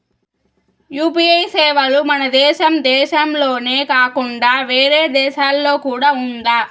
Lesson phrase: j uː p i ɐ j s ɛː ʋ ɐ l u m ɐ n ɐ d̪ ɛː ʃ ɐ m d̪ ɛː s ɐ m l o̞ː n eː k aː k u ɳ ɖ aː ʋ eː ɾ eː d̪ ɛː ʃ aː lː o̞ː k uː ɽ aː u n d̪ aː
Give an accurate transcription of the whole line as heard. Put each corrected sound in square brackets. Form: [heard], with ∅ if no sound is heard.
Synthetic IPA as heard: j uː p i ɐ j s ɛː ʋ ɐ l u m ɐ n ɐ d̪ ɛː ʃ ɐ m d̪ ɛː [ʃ] ɐ m l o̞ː n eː k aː k u ɳ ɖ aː ʋ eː ɾ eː d̪ ɛː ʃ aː lː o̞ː k uː ɽ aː u n d̪ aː